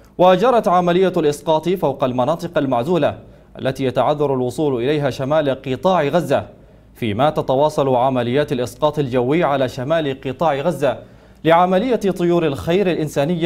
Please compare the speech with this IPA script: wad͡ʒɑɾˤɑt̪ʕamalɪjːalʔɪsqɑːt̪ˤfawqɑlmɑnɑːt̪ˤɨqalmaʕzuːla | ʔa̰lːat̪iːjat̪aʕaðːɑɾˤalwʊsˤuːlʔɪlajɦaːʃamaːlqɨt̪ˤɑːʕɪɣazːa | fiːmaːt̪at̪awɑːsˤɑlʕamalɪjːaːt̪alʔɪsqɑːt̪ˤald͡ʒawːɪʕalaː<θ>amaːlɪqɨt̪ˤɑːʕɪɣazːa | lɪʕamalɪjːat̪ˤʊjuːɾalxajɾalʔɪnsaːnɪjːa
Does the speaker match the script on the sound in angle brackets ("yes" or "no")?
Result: no